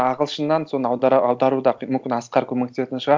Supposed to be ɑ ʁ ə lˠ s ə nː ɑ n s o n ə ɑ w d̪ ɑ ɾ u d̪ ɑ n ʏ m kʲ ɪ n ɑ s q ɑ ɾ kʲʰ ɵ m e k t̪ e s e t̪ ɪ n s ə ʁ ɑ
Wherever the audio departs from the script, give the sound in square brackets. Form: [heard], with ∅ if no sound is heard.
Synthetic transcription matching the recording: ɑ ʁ ə lˠ [ʃ] ə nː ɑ n s o n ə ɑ w d̪ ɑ ɾ u d̪ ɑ [m] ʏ m kʲ ɪ n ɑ s q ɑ ɾ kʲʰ ɵ m e k t̪ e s e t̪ ɪ n [ʃ] ə ʁ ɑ